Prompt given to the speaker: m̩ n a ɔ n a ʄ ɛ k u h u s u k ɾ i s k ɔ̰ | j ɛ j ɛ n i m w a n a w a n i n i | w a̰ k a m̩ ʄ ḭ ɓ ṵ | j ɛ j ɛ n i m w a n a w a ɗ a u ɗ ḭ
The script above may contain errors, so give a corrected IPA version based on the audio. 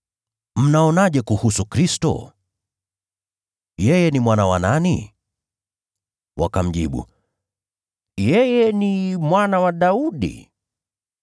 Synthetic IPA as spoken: m̩ n a ɔ n a ʄ ɛ k u h u s u k ɾ i s t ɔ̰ | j ɛ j ɛ n i m w a n a w a n a n i | w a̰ k a m̩ ʄ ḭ ɓ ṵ | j ɛ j ɛ n i m w a n a w a ɗ a u ɗ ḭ

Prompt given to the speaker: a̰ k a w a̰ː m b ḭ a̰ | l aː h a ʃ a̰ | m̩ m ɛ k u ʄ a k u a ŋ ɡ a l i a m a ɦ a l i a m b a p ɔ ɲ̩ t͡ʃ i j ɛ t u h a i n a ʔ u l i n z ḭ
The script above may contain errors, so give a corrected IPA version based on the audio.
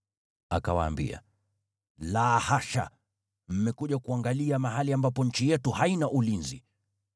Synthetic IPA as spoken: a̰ k a w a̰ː m b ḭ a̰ | l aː h a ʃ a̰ | m̩ m ɛ k u ʄ a k u a ŋ ɡ a l i a m a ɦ a l i a m b a p ɔ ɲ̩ t͡ʃ i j ɛ t u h a i n a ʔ u l i n z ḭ

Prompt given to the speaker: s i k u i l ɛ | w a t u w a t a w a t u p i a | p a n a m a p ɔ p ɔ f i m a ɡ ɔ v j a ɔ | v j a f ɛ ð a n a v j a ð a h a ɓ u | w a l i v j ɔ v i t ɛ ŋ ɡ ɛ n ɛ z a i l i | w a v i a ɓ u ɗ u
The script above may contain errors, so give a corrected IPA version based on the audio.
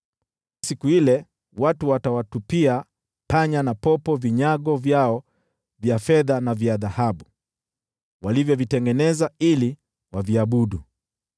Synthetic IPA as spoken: s i k u i l ɛ | w a t u w a t a w a t u p i a | p a ɲ a n a p ɔ p ɔ v i ɲ a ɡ ɔ v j a ɔ | v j a f ɛ ð a n a v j a ð a h a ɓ u | w a l i v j ɔ v i t ɛ ŋ ɡ ɛ n ɛ z a i l i | w a v i a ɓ u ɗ u

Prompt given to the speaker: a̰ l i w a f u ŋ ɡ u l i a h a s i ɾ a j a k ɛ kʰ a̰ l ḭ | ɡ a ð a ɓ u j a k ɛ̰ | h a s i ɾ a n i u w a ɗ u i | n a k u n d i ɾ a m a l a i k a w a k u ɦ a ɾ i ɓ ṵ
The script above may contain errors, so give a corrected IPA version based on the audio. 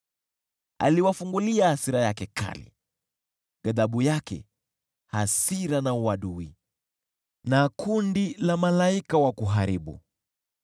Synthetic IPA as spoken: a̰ l i w a f u ŋ ɡ u l i a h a s i ɾ a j a k ɛ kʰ a̰ l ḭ | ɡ a ð a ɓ u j a k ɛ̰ | h a s i ɾ a n a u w a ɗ u i | n a k u n d i l a m a l a i k a w a k u ɦ a ɾ i ɓ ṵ

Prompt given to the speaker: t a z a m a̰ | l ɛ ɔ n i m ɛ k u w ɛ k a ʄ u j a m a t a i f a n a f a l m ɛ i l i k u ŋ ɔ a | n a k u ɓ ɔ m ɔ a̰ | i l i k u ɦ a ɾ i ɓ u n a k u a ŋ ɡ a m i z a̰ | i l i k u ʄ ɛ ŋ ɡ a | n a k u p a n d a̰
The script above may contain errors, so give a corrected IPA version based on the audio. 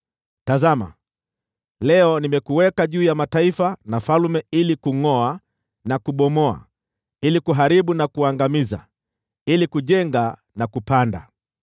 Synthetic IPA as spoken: t a z a m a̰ | l ɛ ɔ n i m ɛ k u w ɛ k a ʄ uː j a m a t a i f a n a f a l m ɛ i l i k u ŋ ɔ a | n a k u ɓ ɔ m ɔ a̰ | i l i k u ɦ a ɾ i ɓ u n a k u a ŋ ɡ a m i z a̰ | i l i k u ʄ ɛ ŋ ɡ a | n a k u p a n d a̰

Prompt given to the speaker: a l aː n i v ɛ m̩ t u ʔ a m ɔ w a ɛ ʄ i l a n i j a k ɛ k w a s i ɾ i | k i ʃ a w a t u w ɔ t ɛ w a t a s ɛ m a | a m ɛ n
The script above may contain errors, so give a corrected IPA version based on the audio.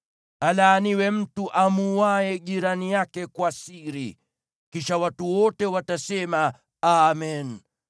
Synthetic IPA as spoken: a l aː n i w ɛ m̩ t u ʔ a m u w a ɛ ʄ i ɾ a n i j a k ɛ k w a s i ɾ i | k i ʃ a w a t u w ɔ t ɛ w a t a s ɛ m a | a m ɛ n

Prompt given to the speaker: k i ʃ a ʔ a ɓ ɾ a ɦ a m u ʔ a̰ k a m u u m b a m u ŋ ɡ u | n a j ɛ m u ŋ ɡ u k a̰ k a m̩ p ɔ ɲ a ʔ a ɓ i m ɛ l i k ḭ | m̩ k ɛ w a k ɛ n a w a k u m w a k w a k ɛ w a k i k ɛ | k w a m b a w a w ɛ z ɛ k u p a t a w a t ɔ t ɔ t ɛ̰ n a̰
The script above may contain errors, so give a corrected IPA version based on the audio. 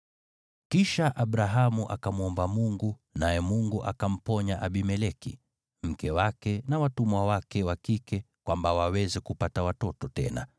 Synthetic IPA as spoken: k i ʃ a ʔ a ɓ ɾ a ɦ a m u ʔ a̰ k a m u ɔ m b a m u ŋ ɡ u | n a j ɛ m u ŋ ɡ u ʔ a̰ k a m̩ p ɔ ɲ a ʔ a ɓ i m ɛ l ɛ k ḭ | m̩ k ɛ w a k ɛ n a w a t u m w a w a k ɛ w a k i k ɛ | k w a m b a w a w ɛ z ɛ k u p a t a w a t ɔ t ɔ t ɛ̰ n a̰

